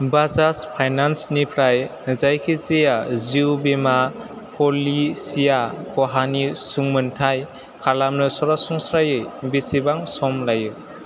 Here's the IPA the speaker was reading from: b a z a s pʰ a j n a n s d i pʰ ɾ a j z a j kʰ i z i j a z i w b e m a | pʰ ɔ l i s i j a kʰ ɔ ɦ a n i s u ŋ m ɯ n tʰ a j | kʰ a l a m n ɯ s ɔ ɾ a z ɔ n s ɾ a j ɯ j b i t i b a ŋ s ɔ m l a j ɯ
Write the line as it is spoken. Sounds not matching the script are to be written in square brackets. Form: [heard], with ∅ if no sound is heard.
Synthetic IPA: b a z a s pʰ a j n a n s [n] i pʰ ɾ a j z a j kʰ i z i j a z i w b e m a | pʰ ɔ l i s i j a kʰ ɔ ɦ a n i s u ŋ m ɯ n tʰ a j | kʰ a l a m n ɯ s ɔ ɾ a [s] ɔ [ŋ] s ɾ a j ɯ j b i [s] i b a ŋ s ɔ m l a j ɯ